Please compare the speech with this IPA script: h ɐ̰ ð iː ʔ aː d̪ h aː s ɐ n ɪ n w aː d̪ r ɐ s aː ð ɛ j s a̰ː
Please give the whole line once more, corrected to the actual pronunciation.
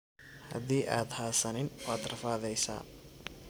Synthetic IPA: h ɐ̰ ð iː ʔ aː d̪ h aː s ɐ n ɪ n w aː d̪ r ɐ f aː ð ɛ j s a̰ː